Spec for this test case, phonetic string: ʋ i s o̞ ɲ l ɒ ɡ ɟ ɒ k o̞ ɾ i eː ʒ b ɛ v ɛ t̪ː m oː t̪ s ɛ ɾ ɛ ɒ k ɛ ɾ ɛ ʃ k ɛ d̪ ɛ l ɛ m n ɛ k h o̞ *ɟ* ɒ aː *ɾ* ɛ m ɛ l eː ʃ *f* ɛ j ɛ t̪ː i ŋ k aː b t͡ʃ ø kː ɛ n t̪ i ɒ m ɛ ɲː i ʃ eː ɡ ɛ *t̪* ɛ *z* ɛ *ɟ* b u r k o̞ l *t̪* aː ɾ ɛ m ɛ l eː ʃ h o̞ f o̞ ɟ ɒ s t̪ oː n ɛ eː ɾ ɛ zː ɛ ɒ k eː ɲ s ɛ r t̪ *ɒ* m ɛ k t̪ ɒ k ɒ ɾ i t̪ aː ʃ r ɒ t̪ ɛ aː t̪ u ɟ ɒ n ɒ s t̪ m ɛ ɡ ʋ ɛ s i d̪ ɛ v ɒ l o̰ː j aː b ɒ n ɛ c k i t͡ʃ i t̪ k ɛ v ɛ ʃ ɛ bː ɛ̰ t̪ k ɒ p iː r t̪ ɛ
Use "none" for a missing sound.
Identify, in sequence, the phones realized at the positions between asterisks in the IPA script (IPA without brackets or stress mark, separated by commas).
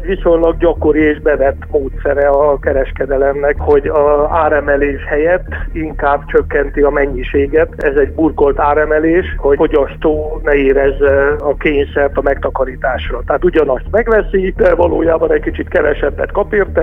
ɟ, ɾ, h, t̪, z, ɟ, t̪, ɒ